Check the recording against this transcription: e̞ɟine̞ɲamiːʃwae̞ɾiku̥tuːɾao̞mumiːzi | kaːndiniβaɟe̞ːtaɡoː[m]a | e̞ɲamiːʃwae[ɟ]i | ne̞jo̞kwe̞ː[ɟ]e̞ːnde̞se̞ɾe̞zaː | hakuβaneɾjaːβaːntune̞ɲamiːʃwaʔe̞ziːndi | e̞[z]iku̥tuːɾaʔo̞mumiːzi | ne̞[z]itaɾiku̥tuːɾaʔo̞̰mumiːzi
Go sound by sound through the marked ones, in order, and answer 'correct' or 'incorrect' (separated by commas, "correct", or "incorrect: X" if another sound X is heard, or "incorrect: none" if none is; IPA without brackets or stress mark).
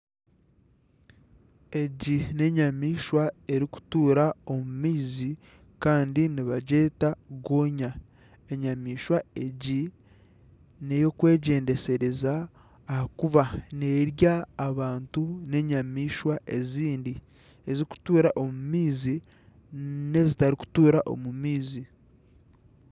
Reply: incorrect: ɲ, correct, correct, correct, correct